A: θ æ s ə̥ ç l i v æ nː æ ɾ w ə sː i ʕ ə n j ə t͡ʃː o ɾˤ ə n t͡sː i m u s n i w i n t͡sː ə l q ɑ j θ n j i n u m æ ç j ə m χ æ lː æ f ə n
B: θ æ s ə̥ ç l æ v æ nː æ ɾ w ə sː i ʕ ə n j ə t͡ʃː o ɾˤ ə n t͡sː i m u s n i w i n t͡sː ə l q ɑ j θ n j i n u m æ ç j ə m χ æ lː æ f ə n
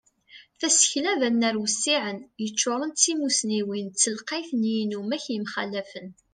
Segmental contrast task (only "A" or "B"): B